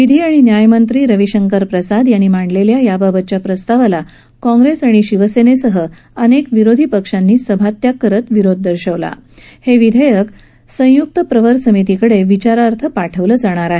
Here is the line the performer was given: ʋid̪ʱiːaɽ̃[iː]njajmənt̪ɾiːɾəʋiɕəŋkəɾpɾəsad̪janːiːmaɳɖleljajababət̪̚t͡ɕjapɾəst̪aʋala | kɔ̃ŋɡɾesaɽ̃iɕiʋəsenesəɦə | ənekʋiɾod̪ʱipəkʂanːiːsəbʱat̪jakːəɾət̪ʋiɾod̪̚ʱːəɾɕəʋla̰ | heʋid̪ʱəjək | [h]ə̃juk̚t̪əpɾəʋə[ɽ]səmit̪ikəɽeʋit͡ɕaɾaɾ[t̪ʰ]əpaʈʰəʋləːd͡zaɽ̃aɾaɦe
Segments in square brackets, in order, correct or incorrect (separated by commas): incorrect, incorrect, incorrect, correct